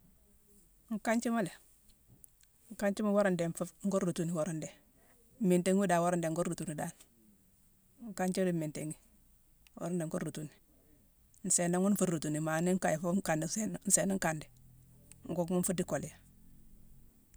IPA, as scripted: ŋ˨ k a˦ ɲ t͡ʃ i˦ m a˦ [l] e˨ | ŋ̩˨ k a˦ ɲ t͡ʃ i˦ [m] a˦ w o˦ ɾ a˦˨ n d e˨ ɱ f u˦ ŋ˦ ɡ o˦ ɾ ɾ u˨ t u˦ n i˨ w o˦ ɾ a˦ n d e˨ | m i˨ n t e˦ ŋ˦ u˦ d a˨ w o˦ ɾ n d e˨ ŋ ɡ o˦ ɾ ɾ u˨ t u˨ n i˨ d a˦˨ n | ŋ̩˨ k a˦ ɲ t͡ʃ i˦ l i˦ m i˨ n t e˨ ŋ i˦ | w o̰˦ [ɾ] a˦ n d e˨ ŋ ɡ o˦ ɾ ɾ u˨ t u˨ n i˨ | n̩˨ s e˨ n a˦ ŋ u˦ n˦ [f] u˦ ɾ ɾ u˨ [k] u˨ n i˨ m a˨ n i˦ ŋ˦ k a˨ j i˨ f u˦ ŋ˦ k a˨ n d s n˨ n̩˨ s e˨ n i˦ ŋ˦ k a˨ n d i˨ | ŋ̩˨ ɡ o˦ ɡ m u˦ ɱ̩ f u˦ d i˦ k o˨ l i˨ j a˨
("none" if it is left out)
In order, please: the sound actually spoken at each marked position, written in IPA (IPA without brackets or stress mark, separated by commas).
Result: l, m, ɾ, f, t